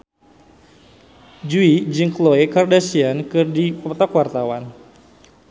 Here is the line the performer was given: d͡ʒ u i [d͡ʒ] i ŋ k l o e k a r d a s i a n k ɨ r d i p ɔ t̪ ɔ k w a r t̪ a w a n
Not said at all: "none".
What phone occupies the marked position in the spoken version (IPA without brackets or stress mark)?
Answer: d͡ʒ